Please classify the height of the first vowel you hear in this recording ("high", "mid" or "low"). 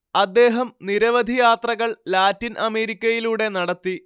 low